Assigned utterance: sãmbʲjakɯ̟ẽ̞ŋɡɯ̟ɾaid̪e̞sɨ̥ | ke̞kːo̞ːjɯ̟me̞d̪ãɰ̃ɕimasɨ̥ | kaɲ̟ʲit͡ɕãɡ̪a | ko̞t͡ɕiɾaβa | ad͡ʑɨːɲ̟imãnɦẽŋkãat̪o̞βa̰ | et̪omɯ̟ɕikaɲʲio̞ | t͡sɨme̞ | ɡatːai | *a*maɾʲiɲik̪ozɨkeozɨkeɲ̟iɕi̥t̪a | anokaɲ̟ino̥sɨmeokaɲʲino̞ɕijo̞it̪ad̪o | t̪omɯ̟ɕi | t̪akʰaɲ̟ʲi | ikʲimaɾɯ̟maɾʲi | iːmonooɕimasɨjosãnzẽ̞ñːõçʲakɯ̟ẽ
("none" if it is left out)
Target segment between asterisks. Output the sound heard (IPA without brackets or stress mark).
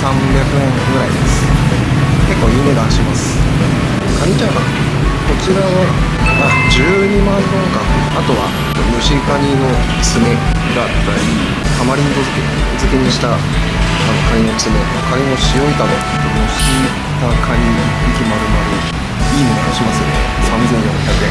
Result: a